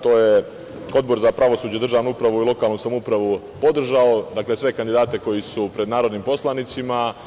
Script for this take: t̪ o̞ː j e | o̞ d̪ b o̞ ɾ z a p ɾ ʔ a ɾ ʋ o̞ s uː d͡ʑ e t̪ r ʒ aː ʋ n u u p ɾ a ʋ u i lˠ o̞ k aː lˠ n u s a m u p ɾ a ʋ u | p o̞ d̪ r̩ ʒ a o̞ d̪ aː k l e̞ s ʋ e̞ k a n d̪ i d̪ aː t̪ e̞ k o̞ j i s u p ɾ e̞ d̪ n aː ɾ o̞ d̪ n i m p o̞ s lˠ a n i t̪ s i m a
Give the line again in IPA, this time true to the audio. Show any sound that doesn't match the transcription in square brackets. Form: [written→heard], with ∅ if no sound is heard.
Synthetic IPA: t̪ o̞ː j e | o̞ d̪ b o̞ ɾ z a p ɾ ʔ a [ɾ→∅] ʋ o̞ s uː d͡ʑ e [t̪→d̪] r ʒ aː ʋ n u u p ɾ a ʋ u i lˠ o̞ k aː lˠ n u s a m u p ɾ a ʋ u | p o̞ d̪ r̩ ʒ a o̞ d̪ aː k l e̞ s ʋ e̞ k a n d̪ i d̪ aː t̪ e̞ k o̞ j i s u p ɾ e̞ d̪ n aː ɾ o̞ d̪ n i m p o̞ s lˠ a n i t̪ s i m a